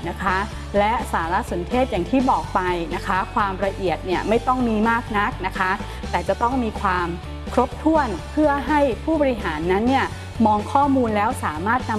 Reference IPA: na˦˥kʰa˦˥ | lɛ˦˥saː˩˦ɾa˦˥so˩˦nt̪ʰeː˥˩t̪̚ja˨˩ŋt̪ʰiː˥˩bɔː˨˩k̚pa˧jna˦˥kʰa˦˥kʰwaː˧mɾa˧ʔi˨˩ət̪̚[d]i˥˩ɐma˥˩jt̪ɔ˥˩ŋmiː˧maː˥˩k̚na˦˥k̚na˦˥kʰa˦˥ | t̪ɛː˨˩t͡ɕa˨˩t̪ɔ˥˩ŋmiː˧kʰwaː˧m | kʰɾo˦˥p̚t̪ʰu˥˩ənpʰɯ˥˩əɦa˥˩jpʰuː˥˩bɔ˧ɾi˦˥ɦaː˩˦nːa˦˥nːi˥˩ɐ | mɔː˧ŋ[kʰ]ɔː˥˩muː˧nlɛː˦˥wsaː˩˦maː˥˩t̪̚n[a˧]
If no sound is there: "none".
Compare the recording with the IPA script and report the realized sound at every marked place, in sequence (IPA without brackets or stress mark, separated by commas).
n, kʰ, a˧